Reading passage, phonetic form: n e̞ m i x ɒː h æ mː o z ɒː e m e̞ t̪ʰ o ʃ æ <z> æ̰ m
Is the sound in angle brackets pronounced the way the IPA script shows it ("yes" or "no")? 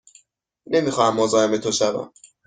no